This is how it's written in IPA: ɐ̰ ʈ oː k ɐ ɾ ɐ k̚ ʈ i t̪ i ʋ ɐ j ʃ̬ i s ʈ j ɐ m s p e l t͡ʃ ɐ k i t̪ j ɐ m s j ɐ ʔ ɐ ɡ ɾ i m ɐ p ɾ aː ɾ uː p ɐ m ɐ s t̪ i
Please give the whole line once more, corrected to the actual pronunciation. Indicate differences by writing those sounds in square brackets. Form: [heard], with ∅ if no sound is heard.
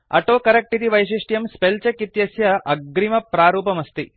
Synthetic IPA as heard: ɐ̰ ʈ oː k ɐ ɾ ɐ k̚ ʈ i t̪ i ʋ ɐ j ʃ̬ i [ʂ] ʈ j ɐ m s p e l t͡ʃ ɐ k i t̪ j ɐ [∅] s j ɐ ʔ ɐ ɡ ɾ i m ɐ p ɾ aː ɾ uː p ɐ m ɐ s t̪ i